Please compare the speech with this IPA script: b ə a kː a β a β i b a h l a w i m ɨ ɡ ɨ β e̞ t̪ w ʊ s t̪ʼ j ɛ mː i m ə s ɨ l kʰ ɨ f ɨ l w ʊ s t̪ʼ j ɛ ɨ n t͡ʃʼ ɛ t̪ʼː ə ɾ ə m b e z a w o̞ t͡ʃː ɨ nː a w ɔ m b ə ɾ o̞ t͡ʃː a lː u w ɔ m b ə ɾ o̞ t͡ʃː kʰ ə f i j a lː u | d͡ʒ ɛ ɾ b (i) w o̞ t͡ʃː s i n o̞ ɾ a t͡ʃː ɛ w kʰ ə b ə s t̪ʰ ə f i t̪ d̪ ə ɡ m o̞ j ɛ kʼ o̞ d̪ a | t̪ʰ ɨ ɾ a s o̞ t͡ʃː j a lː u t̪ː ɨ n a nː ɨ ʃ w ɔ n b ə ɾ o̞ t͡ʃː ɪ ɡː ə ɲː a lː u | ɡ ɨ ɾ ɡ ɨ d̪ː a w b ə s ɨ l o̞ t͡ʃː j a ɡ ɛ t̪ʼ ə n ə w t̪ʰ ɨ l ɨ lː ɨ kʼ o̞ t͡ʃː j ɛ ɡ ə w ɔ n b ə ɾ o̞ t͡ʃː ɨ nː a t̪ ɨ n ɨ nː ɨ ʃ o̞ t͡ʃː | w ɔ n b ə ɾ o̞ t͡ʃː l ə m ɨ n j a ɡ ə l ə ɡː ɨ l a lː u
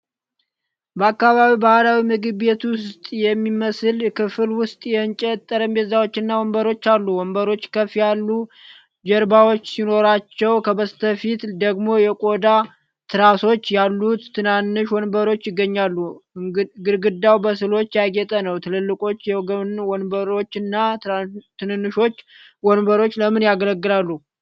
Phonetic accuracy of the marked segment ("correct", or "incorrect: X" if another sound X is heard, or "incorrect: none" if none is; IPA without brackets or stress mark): incorrect: a